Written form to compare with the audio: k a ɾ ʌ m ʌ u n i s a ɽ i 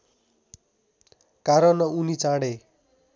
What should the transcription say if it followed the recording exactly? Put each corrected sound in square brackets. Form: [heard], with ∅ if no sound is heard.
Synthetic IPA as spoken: k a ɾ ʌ [n] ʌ u n i [t͡s] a ɽ [e]